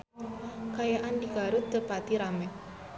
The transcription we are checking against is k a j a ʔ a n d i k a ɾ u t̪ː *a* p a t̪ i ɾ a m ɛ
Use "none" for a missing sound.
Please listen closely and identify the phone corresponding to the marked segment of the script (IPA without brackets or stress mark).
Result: ə